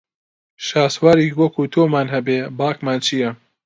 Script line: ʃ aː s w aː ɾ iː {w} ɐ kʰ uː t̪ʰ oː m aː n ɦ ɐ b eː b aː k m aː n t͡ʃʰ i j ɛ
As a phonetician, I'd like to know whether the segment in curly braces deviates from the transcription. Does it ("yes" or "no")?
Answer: no